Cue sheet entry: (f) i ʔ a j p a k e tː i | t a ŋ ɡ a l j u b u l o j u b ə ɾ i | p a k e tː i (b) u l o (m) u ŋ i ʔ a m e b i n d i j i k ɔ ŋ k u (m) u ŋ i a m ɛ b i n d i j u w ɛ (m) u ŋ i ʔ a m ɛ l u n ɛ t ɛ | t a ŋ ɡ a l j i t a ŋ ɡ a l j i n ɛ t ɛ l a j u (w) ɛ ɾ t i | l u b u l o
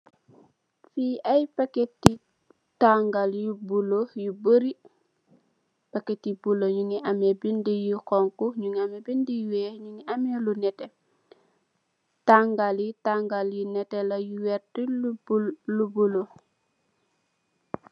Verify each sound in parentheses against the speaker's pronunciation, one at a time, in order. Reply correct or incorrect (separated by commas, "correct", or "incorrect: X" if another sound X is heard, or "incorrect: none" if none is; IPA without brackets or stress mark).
correct, correct, incorrect: ɲ, incorrect: ɲ, incorrect: ɲ, correct